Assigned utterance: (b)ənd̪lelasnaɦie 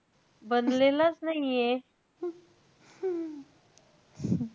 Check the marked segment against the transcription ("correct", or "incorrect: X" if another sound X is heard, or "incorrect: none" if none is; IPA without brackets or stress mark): correct